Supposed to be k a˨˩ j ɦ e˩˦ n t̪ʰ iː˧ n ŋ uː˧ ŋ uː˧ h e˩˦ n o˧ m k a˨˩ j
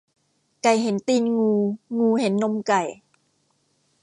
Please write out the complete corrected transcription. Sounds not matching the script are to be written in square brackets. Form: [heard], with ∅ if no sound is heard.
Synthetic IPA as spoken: k a˨˩ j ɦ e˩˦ n [t̪] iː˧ n ŋ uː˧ ŋ uː˧ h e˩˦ [nː] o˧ m k a˨˩ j